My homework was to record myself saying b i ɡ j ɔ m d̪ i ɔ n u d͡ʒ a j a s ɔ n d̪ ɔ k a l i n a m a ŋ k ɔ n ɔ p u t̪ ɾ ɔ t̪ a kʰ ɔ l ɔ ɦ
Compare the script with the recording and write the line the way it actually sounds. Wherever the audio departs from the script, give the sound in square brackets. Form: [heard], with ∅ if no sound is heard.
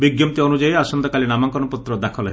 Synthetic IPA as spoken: b i ɡ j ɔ m [t̪] i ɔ n u d͡ʒ a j a s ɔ n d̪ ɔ k a l i n a m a ŋ k ɔ n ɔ p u t̪ ɾ ɔ [d̪] a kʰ ɔ l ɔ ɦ